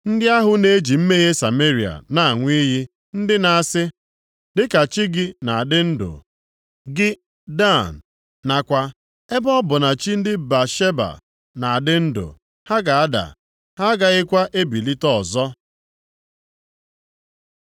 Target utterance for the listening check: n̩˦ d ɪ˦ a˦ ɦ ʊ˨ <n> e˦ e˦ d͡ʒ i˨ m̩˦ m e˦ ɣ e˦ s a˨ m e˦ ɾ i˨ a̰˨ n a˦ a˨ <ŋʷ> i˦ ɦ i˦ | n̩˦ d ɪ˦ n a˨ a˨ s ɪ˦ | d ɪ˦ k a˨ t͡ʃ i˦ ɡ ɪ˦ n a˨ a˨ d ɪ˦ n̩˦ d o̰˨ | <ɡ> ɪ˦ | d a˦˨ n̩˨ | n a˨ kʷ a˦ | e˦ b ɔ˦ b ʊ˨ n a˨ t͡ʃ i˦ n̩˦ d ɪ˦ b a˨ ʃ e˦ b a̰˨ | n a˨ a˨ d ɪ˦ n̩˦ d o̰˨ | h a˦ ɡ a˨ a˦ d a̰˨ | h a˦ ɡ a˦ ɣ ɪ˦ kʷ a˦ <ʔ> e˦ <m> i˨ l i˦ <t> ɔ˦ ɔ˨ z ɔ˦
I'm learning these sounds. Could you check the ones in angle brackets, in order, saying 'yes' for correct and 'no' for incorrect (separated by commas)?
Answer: yes, yes, yes, yes, no, yes